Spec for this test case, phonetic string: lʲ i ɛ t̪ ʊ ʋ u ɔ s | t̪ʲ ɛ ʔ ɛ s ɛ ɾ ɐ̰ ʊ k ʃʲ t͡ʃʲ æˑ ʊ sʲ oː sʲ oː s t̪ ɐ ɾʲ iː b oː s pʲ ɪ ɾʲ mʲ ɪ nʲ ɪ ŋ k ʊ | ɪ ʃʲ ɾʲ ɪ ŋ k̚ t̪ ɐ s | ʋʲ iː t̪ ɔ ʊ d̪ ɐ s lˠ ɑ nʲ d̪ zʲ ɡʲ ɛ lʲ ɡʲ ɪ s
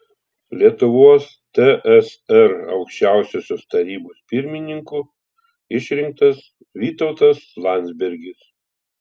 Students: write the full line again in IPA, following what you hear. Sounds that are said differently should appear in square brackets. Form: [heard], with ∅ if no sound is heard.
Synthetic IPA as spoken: lʲ i ɛ t̪ ʊ ʋ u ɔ s | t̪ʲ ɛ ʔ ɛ s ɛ ɾ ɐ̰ ʊ k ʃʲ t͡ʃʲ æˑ ʊ sʲ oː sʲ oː s t̪ ɐ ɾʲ iː b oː s pʲ ɪ ɾʲ mʲ ɪ nʲ ɪ ŋ k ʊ | ɪ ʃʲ ɾʲ ɪ ŋ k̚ t̪ ɐ s | ʋʲ iː t̪ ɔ ʊ [t̪] ɐ s lˠ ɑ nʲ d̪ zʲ [bʲ] ɛ [ɾʲ] ɡʲ ɪ s

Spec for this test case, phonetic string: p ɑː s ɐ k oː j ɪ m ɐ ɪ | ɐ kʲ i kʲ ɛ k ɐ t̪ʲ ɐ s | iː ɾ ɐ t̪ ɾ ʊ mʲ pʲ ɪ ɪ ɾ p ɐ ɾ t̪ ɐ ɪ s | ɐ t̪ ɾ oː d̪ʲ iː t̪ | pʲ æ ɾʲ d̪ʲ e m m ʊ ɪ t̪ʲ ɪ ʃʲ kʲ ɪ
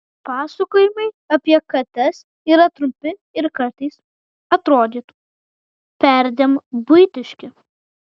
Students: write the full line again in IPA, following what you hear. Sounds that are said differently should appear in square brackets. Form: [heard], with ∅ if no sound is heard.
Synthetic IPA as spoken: p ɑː s ɐ k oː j ɪ m ɐ ɪ | ɐ [pʲ] i [∅] ɛ k ɐ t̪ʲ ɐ s | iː ɾ ɐ t̪ ɾ ʊ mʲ pʲ ɪ ɪ ɾ [k] ɐ ɾ t̪ ɐ ɪ s | ɐ t̪ ɾ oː d̪ʲ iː t̪ | pʲ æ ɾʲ d̪ʲ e m [b] ʊ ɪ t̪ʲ ɪ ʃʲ kʲ ɪ

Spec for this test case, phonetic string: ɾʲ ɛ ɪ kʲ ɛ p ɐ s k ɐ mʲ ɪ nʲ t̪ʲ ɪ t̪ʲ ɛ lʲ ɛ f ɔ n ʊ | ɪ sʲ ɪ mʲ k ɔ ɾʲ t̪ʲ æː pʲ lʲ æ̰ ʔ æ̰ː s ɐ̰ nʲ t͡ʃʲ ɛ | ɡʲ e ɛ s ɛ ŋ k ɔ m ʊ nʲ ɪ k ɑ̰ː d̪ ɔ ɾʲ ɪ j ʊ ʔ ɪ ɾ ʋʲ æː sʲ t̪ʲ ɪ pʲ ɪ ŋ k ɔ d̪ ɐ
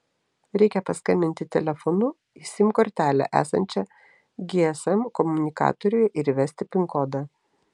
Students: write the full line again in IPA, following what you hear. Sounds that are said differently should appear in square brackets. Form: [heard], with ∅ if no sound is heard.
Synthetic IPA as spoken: ɾʲ ɛ ɪ kʲ ɛ p ɐ s k ɐ mʲ ɪ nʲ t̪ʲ ɪ t̪ʲ ɛ lʲ ɛ f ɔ n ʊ | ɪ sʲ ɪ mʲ k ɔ ɾʲ t̪ʲ æː [∅] lʲ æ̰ ʔ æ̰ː s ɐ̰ nʲ t͡ʃʲ ɛ | ɡʲ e ɛ s ɛ [m] k ɔ m ʊ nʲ ɪ k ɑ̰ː [t̪] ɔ ɾʲ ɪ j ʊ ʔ ɪ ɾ ʋʲ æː sʲ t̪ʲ ɪ pʲ ɪ ŋ k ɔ d̪ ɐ

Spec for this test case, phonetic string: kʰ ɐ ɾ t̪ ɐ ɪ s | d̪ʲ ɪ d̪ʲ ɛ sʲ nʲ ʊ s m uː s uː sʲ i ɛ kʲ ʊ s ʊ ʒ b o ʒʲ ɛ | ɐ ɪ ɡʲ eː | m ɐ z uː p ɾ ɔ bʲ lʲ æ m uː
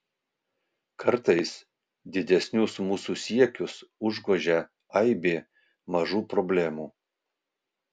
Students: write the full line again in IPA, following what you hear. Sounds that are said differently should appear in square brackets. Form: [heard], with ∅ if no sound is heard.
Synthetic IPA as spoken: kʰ ɐ ɾ t̪ ɐ ɪ s | d̪ʲ ɪ d̪ʲ ɛ sʲ nʲ ʊ s m uː s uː sʲ i ɛ kʲ ʊ s ʊ ʒ [ɡ] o ʒʲ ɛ | ɐ ɪ [bʲ] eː | m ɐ [ʒ] uː p ɾ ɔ bʲ lʲ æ m uː

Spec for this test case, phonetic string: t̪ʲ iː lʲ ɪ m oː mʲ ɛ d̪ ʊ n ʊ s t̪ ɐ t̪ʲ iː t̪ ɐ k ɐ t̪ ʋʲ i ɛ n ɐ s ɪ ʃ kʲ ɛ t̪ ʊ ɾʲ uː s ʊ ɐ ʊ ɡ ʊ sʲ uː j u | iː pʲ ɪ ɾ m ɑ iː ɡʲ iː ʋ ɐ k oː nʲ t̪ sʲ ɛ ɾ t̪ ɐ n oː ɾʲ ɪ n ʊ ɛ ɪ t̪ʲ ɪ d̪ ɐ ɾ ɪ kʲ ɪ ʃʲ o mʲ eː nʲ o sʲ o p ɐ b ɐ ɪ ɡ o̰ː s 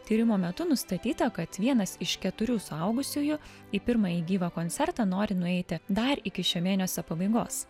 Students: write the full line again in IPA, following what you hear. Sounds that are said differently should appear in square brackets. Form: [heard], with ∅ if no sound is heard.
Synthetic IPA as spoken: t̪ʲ iː [ɾʲ] ɪ m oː mʲ ɛ [t̪] ʊ n ʊ s t̪ ɐ t̪ʲ iː t̪ ɐ k ɐ t̪ ʋʲ i ɛ n ɐ s ɪ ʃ kʲ ɛ t̪ ʊ ɾʲ uː s ʊ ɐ ʊ ɡ ʊ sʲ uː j [ʊ] | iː pʲ ɪ ɾ m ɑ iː ɡʲ iː ʋ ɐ k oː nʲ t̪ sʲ ɛ ɾ t̪ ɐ n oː ɾʲ ɪ n ʊ ɛ ɪ t̪ʲ ɪ d̪ ɐ ɾ ɪ kʲ ɪ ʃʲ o mʲ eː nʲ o sʲ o p ɐ b ɐ ɪ ɡ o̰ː s

